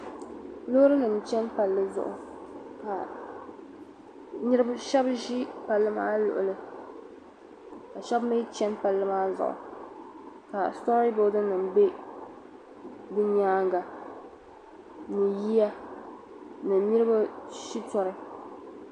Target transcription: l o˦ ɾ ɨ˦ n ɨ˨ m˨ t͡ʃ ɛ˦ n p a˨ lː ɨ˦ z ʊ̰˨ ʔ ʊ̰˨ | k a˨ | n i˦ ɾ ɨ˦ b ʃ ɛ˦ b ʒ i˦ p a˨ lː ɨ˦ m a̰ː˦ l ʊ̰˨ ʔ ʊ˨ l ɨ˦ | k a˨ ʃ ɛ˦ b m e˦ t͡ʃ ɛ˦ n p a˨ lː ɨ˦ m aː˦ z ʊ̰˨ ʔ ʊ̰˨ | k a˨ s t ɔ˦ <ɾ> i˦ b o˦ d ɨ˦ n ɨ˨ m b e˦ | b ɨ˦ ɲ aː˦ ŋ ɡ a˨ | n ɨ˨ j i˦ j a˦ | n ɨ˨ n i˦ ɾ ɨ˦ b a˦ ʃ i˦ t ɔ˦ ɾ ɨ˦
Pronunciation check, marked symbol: correct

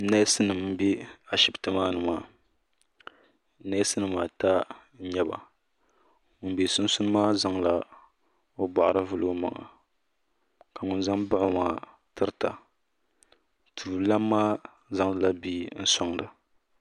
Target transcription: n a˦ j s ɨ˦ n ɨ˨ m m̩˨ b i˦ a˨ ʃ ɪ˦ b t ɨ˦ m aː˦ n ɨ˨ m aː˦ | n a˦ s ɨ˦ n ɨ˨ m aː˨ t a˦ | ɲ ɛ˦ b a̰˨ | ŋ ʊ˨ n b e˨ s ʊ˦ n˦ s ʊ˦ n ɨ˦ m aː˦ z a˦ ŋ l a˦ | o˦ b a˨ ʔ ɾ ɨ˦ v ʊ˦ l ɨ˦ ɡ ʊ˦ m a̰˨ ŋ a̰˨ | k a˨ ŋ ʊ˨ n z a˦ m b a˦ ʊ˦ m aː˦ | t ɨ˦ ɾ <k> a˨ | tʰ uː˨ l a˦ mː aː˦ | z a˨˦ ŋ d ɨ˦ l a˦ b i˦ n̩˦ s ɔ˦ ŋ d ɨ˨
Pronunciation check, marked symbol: incorrect: t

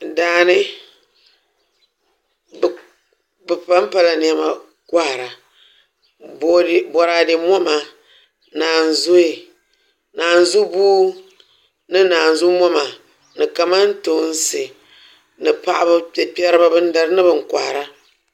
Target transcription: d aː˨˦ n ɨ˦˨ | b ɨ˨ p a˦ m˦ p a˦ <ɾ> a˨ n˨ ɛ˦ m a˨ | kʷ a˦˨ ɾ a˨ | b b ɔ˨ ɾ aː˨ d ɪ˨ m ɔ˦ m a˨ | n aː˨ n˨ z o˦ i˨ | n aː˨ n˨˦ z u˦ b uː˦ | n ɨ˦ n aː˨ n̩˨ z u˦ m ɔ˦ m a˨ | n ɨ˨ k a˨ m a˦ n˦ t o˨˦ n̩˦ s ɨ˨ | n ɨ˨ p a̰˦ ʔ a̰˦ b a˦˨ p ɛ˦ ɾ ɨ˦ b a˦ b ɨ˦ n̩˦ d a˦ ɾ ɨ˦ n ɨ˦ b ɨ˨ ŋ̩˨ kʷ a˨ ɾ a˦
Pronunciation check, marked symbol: incorrect: l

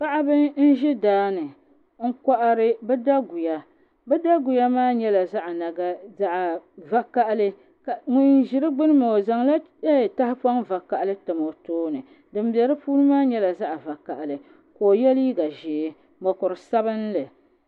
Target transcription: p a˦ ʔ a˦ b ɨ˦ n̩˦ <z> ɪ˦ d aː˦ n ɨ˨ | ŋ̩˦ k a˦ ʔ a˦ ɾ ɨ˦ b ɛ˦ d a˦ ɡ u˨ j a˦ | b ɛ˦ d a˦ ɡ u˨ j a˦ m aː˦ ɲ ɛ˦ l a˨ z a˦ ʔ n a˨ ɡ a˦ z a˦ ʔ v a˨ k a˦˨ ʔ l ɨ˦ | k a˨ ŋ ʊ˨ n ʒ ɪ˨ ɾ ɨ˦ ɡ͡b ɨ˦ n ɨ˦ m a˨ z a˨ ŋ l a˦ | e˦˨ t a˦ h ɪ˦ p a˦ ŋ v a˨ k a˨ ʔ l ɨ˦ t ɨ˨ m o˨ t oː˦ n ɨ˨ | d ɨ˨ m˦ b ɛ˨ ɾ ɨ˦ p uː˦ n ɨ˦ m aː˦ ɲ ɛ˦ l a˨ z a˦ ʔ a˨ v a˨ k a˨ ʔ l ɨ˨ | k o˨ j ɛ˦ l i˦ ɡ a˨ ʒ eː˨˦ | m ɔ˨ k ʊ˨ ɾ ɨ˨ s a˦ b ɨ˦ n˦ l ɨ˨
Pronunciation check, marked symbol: incorrect: ʒ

